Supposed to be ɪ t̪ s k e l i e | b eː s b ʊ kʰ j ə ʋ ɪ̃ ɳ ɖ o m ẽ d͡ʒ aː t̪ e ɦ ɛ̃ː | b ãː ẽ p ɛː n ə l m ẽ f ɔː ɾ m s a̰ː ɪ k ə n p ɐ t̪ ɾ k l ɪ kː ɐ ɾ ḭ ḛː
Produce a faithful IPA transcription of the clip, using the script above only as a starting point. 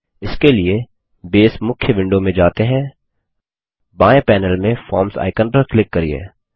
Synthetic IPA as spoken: ɪ s k e l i e | b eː s m ʊ kʰ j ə ʋ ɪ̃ ɳ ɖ o m ẽ d͡ʒ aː t̪ e ɦ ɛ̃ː | b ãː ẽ p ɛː n ə l m ẽ f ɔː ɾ m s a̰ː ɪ k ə n p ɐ ɾ k l ɪ kː ɐ ɾ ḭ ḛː

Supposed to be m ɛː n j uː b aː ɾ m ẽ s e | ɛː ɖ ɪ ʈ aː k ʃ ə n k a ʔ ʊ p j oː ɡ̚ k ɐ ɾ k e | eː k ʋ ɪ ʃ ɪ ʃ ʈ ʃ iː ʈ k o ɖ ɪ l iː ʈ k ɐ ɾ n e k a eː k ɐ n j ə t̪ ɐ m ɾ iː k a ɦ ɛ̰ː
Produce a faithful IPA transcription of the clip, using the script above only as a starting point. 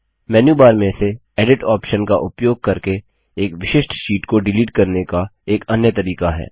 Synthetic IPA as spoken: m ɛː n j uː b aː ɾ m ẽ s e | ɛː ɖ ɪ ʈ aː p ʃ ə n k a ʔ ʊ p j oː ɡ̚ k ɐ ɾ k e | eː k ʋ ɪ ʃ ɪ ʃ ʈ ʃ iː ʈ k o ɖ ɪ l iː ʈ k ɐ ɾ n e k a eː k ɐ n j ə t̪ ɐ ɾ iː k a ɦ ɛ̰ː

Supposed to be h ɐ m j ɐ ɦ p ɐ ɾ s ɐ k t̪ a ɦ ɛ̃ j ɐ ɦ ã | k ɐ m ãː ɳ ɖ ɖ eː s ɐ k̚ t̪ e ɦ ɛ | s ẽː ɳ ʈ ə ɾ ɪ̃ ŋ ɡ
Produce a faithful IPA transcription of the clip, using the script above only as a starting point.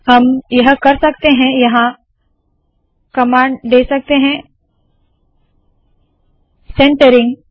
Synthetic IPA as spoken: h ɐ m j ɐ ɦ k ɐ ɾ s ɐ k t̪ e ɦ ɛ̃ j ɐ ɦ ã | k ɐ m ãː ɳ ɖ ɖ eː s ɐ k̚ t̪ e ɦ ɛ̃ | s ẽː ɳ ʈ ə ɾ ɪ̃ ŋ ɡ

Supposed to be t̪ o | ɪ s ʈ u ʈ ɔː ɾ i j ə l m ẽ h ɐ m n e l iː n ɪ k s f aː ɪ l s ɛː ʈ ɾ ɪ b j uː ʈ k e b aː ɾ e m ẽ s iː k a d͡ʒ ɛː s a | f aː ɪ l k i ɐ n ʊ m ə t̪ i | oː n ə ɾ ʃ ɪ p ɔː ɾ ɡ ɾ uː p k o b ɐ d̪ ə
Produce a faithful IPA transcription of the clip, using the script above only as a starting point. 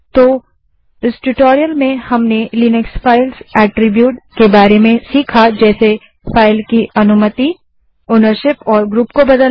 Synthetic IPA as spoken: t̪ o | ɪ s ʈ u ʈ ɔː ɾ i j ə l m ẽ h ɐ m n e l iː n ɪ k s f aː ɪ l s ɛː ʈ ɾ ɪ b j uː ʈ k e b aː ɾ e m ẽ s iː kʰ a d͡ʒ ɛː s e | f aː ɪ l k i ɐ n ʊ m ə t̪ i | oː n ə ɾ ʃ ɪ p ɔː ɾ ɡ ɾ uː p k o b ɐ d̪ ə

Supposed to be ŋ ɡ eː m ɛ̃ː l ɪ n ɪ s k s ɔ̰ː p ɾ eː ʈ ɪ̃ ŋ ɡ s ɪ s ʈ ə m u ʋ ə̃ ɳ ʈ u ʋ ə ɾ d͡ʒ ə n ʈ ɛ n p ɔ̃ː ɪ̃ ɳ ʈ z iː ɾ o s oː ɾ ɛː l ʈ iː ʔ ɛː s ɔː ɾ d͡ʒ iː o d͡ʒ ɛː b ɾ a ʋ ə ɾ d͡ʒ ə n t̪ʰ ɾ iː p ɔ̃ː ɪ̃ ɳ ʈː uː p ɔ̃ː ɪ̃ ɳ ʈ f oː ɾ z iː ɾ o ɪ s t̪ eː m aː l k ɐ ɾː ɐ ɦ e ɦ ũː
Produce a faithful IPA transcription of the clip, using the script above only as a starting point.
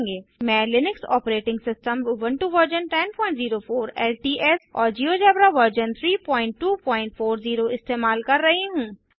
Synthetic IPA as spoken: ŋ ɡ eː m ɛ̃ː l ɪ n ɪ k s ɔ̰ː p ɾ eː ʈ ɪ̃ ŋ ɡ s ɪ s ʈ ə m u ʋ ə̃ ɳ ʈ u ʋ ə ɾ d͡ʒ ə n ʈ ɛ n p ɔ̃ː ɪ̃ ɳ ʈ z iː ɾ o f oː ɾ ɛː l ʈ iː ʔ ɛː s ɔː ɾ d͡ʒ iː o d͡ʒ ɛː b ɾ a ʋ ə ɾ d͡ʒ ə n t̪ʰ ɾ iː p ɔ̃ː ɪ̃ ɳ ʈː uː p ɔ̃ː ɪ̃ ɳ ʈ f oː ɾ z iː ɾ o ɪ s t̪ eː m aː l k ɐ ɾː ɐ ɦ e ɦ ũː

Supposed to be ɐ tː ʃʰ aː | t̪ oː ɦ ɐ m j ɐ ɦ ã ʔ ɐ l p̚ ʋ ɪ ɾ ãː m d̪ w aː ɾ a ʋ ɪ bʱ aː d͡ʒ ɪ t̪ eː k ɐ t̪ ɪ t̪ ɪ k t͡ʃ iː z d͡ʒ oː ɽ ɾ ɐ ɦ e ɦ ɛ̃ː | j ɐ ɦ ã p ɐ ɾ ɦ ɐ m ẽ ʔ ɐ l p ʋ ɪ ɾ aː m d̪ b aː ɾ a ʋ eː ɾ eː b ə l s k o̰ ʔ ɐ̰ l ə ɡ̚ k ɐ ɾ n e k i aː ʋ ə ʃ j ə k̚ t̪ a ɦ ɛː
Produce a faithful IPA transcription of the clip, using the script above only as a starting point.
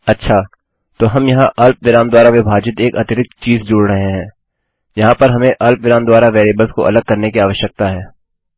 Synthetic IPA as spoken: ɐ tː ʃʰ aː | t̪ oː ɦ ɐ m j ɐ ɦ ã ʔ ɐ l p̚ ʋ ɪ ɾ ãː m d̪ w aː ɾ a ʋ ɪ bʱ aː d͡ʒ ɪ t̪ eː k ɐ t̪ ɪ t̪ ɪ k t͡ʃ iː z d͡ʒ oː ɽ ɾ ɐ ɦ e ɦ ɛ̃ː | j ɐ ɦ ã p ɐ ɾ ɦ ɐ m ẽ ʔ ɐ l p ʋ ɪ ɾ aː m d̪ w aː ɾ a ʋ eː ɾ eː b ə l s k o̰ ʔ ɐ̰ l ə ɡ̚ k ɐ ɾ n e k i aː ʋ ə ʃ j ə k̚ t̪ a ɦ ɛː

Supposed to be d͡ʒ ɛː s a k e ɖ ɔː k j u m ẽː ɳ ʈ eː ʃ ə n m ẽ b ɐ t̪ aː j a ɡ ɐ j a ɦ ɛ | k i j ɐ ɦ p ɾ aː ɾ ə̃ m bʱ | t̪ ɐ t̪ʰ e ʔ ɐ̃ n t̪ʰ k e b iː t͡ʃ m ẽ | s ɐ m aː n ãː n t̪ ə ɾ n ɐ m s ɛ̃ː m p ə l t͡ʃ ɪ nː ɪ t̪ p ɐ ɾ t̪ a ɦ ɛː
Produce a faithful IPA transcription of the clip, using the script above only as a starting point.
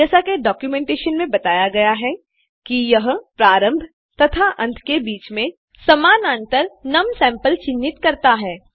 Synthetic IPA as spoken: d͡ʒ ɛː s a k e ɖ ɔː k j u m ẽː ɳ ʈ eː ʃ ə n m ẽ b ɐ t̪ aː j a ɡ ɐ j a ɦ ɛ | k i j ɐ ɦ p ɾ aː ɾ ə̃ m bʱ | t̪ ɐ t̪ʰ a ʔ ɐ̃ n t̪ʰ k e b iː t͡ʃ m ẽ | s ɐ m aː n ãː n t̪ ə ɾ n ɐ m s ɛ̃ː m p ə l t͡ʃ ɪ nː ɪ t̪ k ɐ ɾ t̪ a ɦ ɛː

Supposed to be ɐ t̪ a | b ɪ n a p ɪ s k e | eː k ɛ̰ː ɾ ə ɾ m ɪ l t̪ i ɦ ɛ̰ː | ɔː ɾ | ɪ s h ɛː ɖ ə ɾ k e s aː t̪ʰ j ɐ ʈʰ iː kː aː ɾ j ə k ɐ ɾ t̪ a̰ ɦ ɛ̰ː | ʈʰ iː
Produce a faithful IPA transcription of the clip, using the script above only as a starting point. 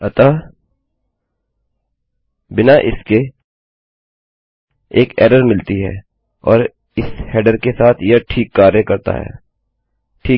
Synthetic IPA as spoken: ɐ t̪ a | b ɪ n a ʔ ɪ s k e | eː k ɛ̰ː ɾ ə ɾ m ɪ l t̪ i ɦ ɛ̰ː | ɔː ɾ | ɪ s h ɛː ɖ ə ɾ k e s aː t̪ʰ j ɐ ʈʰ iː kː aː ɾ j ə k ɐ ɾ t̪ a̰ ɦ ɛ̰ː | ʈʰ iː

